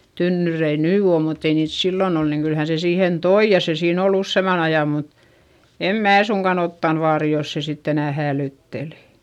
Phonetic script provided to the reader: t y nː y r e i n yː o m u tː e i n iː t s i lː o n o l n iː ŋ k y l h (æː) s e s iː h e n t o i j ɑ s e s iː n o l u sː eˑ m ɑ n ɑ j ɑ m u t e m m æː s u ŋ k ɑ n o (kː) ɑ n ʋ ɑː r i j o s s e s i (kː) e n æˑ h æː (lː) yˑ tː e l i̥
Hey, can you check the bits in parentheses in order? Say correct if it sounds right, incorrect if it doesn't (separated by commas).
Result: incorrect, incorrect, incorrect, incorrect